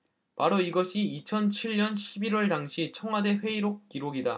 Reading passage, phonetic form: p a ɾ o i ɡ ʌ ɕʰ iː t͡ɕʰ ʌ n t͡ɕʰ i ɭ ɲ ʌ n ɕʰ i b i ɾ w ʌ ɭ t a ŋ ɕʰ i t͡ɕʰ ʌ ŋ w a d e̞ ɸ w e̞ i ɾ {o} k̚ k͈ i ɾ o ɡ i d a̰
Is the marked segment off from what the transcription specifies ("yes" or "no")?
no